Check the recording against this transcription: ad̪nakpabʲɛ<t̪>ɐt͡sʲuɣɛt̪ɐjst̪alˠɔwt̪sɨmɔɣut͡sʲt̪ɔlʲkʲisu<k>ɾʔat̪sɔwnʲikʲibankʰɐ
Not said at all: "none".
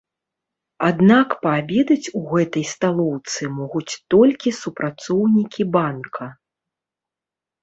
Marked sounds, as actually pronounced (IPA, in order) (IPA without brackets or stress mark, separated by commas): d̪, p